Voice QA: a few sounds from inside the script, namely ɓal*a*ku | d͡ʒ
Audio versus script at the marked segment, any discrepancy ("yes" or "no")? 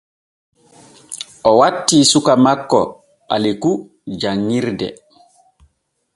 yes